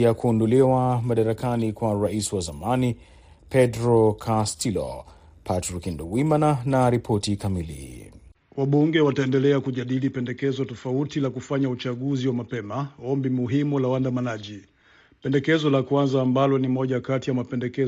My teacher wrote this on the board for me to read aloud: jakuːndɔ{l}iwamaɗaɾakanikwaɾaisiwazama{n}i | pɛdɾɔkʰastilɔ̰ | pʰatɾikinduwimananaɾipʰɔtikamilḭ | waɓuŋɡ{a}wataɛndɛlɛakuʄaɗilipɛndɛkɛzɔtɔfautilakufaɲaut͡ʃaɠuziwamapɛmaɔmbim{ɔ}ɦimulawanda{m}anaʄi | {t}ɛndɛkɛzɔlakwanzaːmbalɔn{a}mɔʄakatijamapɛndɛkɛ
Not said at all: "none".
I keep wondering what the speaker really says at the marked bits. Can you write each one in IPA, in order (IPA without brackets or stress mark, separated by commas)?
l, n, ɛ, u, m, p, i